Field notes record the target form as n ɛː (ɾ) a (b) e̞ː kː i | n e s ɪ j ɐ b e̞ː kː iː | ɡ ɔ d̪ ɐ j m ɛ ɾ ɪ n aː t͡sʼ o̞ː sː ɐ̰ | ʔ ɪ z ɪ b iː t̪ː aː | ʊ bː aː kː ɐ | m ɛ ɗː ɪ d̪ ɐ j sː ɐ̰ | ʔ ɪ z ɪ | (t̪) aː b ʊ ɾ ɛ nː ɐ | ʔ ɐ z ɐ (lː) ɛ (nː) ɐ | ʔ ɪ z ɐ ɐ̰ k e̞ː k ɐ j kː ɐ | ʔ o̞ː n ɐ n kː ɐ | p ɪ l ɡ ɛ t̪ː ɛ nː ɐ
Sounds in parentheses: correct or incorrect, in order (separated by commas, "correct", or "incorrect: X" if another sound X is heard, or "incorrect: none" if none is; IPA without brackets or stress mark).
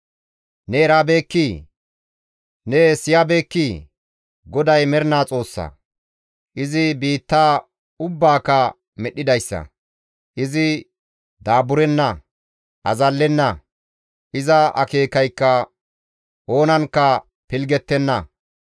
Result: correct, correct, incorrect: d̪, correct, correct